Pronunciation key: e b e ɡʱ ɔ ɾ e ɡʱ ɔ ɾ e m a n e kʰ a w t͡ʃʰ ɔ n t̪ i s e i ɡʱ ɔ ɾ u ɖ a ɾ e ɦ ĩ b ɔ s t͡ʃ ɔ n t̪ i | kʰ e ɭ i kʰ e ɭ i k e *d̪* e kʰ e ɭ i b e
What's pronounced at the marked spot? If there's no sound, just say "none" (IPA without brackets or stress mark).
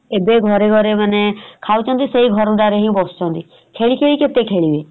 t̪